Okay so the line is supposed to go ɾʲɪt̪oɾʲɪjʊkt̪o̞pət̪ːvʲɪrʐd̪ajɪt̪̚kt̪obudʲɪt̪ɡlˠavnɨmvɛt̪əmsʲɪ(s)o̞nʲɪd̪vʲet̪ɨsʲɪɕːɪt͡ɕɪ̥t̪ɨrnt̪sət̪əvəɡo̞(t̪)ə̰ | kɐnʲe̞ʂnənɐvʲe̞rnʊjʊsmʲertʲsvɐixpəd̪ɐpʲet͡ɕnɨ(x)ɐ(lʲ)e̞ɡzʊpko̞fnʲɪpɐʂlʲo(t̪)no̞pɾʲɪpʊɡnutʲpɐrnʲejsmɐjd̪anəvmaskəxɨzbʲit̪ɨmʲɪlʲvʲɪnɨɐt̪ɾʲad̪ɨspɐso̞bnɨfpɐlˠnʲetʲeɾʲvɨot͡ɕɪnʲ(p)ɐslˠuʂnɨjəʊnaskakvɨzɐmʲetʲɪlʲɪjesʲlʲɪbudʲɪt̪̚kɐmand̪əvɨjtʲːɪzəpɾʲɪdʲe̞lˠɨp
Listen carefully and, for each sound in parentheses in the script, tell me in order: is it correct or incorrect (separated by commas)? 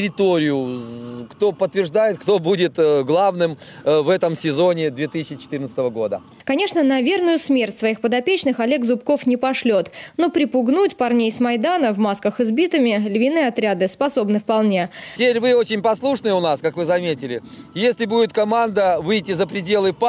incorrect, incorrect, correct, correct, correct, correct